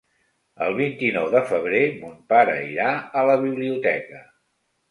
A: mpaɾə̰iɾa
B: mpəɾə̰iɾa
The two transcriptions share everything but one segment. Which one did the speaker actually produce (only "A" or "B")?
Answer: A